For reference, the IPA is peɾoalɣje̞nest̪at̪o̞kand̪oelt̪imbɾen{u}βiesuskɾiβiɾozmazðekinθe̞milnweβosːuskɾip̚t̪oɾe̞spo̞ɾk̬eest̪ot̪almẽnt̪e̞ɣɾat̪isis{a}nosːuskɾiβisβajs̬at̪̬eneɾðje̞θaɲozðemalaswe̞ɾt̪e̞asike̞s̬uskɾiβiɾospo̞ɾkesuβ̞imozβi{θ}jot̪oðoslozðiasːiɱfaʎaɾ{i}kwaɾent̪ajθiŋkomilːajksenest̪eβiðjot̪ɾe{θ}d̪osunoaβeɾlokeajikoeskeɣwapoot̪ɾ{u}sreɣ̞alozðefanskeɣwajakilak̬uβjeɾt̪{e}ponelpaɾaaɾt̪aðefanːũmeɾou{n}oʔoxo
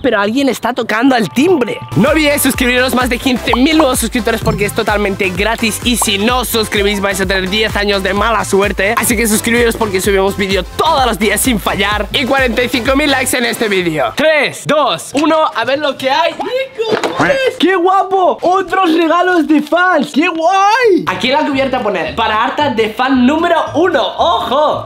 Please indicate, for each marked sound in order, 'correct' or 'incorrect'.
incorrect: o, incorrect: i, incorrect: ð, correct, incorrect: s, incorrect: o, incorrect: a, correct

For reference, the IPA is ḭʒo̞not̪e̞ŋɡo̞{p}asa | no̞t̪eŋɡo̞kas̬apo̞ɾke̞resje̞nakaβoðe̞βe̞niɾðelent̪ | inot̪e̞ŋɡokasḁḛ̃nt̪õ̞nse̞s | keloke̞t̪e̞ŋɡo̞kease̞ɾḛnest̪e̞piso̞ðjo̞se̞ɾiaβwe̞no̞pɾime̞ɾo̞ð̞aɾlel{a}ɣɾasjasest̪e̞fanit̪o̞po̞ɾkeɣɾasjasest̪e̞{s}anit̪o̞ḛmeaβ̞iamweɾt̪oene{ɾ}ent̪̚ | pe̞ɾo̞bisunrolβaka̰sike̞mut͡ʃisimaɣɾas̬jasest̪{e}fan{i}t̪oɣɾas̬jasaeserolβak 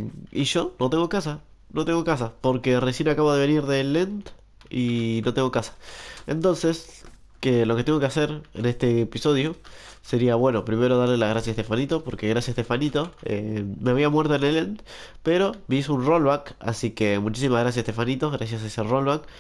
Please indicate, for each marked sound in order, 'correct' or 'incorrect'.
incorrect: k, correct, incorrect: f, incorrect: l, correct, correct

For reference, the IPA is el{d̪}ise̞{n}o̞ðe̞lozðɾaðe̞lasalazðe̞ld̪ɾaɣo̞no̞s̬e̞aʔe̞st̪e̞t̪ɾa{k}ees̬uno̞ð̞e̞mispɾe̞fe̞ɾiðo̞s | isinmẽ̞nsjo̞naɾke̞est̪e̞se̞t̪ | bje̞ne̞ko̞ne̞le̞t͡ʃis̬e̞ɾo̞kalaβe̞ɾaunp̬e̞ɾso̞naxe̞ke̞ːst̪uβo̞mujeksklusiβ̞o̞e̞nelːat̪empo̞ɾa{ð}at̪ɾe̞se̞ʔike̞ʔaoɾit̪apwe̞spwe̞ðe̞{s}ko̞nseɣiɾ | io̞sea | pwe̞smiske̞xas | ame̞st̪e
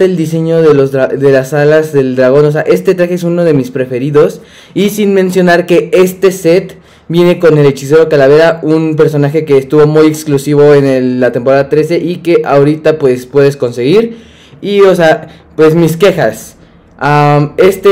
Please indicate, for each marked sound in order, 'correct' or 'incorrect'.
correct, incorrect: ɲ, incorrect: x, correct, correct

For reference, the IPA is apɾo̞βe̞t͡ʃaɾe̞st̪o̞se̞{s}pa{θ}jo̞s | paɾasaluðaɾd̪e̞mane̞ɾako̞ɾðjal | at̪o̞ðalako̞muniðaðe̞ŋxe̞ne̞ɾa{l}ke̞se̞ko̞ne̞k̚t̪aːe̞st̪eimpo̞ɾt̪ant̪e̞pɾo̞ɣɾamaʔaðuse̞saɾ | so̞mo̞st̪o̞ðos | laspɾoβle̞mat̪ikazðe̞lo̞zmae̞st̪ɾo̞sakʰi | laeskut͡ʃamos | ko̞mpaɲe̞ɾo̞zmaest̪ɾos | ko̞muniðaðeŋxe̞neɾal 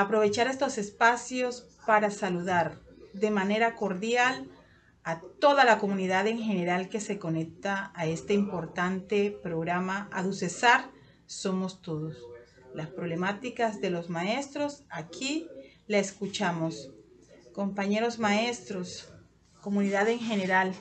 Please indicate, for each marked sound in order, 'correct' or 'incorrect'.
correct, incorrect: s, correct

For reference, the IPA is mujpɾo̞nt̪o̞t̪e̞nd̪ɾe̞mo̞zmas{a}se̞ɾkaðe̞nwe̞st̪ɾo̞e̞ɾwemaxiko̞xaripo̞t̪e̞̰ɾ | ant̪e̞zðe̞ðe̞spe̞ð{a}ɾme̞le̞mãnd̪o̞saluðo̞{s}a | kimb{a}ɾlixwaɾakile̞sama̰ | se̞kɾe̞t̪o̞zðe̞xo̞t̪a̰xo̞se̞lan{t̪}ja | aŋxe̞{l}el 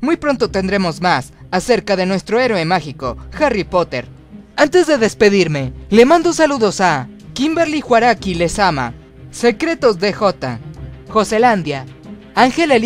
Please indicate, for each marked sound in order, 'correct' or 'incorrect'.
correct, incorrect: i, correct, incorrect: e, incorrect: d̪, correct

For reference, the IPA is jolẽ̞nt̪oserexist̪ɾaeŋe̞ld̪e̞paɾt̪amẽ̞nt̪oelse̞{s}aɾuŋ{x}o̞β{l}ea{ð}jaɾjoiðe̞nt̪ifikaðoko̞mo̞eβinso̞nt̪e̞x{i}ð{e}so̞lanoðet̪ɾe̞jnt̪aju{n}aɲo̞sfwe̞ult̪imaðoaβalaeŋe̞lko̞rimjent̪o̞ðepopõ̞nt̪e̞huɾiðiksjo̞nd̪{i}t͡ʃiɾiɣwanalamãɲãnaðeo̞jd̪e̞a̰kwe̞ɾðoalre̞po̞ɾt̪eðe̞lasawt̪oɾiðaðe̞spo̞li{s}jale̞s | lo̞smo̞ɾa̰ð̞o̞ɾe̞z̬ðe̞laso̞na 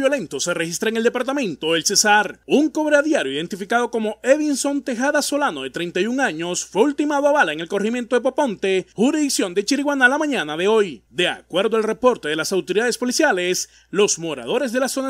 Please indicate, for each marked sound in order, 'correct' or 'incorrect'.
correct, incorrect: k, incorrect: ɾ, correct, incorrect: a, incorrect: a, incorrect: ŋ, incorrect: e, correct

